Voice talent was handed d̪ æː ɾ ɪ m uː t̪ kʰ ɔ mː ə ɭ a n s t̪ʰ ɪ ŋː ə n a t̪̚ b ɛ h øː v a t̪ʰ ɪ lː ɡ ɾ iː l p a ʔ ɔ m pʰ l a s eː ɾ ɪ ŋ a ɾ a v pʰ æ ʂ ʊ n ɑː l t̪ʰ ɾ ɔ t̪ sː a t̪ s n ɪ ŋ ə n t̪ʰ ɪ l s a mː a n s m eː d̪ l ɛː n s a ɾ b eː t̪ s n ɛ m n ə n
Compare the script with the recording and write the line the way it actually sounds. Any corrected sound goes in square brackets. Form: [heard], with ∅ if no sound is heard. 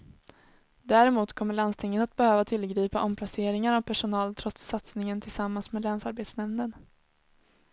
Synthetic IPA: d̪ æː ɾ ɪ m uː t̪ kʰ ɔ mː ə ɭ a n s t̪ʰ ɪ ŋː ə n a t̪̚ b ɛ h øː v a t̪ʰ ɪ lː ɡ ɾ iː [∅] p a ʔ ɔ m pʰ l a s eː ɾ ɪ ŋ a ɾ a v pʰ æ ʂ ʊ n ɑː l t̪ʰ ɾ ɔ t̪ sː a t̪ s n ɪ ŋ ə n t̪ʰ ɪ l s a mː a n s m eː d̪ l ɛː n s a ɾ b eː t̪ s n ɛ m n ə n